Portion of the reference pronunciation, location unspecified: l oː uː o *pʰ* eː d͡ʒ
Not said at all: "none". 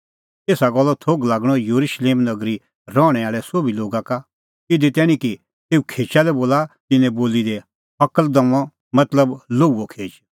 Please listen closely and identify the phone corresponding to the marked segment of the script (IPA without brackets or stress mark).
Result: kʰ